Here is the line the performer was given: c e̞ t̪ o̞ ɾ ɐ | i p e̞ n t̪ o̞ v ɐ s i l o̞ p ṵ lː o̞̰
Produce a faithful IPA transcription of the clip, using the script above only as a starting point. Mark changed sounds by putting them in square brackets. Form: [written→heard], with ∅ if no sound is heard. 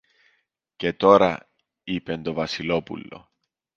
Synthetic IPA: c e̞ t̪ o̞ ɾ ɐ | i p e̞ n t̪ o̞ v ɐ s i l o̞ p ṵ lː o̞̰